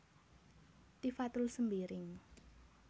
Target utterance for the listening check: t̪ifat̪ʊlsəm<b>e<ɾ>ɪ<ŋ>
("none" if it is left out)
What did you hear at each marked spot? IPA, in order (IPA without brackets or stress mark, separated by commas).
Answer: b, ɾ, ŋ